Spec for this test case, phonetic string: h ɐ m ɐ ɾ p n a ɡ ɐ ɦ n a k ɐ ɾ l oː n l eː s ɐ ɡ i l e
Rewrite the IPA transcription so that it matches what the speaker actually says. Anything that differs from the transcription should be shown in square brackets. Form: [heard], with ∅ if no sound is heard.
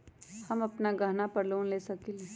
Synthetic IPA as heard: h ɐ m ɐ [∅] p n a ɡ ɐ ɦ n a [p] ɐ ɾ l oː n l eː s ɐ [k] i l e